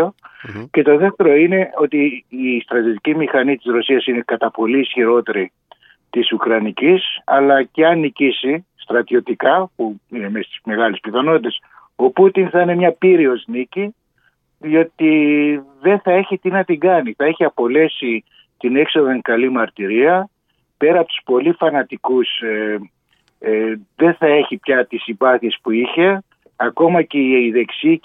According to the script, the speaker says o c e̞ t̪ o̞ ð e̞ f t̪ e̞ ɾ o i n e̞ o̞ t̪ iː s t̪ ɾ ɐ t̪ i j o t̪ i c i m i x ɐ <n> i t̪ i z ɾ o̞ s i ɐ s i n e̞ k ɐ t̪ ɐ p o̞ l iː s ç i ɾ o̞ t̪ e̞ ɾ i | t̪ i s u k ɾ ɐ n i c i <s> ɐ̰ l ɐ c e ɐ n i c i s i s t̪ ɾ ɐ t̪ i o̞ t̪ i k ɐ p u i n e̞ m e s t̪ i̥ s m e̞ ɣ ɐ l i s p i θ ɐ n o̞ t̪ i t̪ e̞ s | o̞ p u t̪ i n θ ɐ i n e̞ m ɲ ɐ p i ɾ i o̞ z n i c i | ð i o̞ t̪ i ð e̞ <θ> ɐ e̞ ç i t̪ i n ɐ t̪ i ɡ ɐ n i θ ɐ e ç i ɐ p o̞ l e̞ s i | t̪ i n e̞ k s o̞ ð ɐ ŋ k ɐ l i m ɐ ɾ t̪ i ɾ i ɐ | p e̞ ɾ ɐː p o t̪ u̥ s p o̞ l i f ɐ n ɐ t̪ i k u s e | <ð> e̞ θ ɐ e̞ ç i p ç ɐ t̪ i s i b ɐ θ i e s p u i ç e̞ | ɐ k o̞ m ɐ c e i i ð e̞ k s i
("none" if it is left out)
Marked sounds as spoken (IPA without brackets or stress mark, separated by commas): n, s, θ, ð